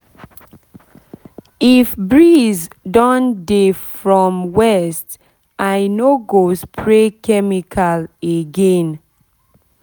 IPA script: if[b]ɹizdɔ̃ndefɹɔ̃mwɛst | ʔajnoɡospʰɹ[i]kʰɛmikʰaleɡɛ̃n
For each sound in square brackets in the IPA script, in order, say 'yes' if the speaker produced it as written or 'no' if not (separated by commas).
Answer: yes, no